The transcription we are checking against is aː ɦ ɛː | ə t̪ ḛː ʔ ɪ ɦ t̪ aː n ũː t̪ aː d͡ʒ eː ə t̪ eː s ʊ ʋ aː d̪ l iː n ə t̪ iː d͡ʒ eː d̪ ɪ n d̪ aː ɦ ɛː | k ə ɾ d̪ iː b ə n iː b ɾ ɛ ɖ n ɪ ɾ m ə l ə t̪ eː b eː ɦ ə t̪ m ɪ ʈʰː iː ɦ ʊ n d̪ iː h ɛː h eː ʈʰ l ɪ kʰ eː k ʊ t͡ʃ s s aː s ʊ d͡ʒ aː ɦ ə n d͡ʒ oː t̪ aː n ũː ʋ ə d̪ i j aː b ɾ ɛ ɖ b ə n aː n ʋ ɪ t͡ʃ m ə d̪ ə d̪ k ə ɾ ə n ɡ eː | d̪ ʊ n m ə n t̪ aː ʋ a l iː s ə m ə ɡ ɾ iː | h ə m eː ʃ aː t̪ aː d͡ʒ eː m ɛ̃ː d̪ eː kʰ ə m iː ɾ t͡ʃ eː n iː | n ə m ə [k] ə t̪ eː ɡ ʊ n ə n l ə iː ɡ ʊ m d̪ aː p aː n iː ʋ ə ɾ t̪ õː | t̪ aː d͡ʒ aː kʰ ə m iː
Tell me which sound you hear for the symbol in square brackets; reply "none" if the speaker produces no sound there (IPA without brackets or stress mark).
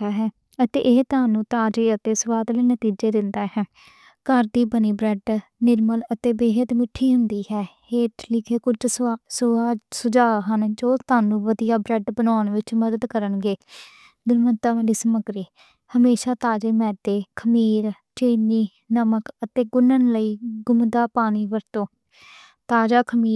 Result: k